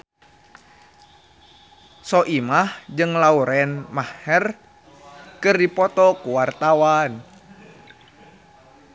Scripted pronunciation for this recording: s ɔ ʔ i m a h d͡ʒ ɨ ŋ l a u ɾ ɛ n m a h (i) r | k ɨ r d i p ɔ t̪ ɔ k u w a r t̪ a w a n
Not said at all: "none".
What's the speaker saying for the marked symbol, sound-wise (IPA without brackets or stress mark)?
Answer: ɛ